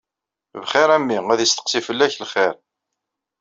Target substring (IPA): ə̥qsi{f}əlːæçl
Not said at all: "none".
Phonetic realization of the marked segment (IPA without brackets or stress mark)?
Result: f